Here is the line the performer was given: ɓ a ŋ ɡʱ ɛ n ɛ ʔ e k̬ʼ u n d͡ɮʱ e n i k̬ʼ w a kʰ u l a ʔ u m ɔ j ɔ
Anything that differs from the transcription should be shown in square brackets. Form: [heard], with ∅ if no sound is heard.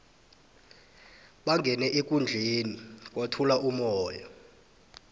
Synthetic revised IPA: ɓ a ŋ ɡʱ ɛ n ɛ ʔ e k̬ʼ u n d͡ɮʱ e n i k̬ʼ w a [tʰ] u l a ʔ u m [ɔː] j ɔ